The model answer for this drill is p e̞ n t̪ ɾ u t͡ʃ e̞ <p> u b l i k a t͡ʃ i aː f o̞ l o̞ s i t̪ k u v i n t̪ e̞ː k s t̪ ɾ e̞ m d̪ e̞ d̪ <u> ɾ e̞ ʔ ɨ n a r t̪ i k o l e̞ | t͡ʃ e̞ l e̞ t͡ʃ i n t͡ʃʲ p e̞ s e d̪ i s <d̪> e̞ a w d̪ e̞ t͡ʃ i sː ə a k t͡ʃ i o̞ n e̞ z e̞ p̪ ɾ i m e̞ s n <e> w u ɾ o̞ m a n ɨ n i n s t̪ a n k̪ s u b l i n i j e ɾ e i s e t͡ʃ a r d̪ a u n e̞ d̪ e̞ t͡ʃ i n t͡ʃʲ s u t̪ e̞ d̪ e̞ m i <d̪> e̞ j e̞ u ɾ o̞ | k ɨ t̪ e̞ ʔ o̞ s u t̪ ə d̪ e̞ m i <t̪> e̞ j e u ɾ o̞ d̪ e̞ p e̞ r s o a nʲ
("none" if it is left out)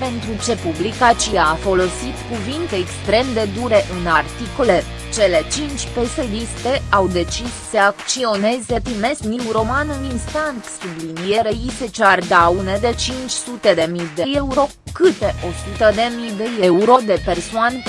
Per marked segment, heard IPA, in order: p, u, t̪, i, d̪, d̪

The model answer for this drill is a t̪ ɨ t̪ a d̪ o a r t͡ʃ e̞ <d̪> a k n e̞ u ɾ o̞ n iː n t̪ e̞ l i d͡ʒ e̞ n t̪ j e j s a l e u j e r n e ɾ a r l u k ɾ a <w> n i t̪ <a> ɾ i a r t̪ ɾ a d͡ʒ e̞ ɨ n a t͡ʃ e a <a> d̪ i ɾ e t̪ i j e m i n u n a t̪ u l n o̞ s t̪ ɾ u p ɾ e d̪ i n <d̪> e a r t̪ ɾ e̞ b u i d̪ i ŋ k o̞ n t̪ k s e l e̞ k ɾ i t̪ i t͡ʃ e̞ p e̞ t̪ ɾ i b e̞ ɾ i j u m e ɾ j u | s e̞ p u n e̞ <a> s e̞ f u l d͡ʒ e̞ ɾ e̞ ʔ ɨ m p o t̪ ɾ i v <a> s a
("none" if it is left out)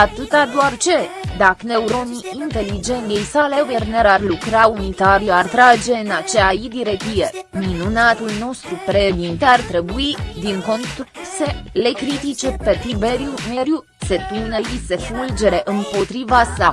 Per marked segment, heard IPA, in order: d̪, u, a, i, t̪, i, a

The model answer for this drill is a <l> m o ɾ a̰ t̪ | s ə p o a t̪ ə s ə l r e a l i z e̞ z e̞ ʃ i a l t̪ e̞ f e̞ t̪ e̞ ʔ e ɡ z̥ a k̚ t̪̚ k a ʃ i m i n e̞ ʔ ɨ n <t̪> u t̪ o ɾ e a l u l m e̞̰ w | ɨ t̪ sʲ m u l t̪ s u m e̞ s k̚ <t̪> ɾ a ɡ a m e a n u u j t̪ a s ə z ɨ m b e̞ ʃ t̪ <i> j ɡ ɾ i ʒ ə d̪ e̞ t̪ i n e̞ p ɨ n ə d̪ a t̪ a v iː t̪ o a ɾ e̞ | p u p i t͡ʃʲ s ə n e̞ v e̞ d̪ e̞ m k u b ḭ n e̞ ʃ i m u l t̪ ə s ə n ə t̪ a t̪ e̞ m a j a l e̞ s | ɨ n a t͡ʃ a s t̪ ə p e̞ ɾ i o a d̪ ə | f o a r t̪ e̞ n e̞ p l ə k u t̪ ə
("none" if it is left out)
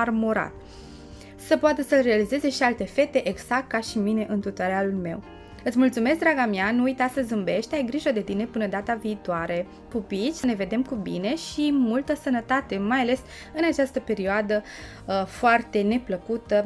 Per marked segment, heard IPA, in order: r, t̪, d̪, a

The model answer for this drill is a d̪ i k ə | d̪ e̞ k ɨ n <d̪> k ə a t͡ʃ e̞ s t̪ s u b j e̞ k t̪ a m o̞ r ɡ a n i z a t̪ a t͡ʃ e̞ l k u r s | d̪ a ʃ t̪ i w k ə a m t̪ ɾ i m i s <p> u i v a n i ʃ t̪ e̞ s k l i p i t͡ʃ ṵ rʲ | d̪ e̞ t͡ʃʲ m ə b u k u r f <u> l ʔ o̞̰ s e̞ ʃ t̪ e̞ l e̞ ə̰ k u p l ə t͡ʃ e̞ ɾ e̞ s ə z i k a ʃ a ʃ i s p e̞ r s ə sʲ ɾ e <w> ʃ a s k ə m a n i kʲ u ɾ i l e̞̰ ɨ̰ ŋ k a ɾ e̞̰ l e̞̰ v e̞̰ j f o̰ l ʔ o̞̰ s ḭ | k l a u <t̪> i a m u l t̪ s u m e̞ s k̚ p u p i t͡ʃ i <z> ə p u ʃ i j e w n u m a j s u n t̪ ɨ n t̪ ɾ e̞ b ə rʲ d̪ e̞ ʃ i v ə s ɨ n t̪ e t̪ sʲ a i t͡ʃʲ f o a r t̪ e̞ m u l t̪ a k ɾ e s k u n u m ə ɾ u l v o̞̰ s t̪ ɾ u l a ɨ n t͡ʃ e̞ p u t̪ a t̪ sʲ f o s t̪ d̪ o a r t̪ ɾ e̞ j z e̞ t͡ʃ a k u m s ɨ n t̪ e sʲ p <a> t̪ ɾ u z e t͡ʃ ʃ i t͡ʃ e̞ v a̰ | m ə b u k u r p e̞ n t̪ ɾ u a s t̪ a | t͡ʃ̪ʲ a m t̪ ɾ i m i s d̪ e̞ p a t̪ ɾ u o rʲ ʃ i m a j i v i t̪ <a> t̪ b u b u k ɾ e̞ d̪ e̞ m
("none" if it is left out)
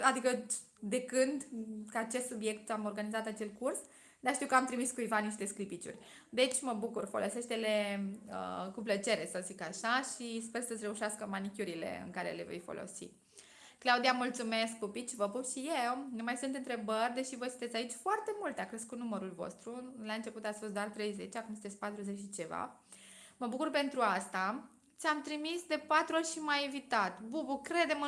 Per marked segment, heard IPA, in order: d̪, k, o, u, d̪, v, a, a

